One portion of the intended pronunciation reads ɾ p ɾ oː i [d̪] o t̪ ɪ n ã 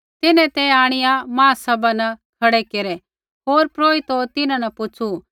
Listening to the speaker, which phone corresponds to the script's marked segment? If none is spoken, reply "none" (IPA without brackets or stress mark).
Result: t̪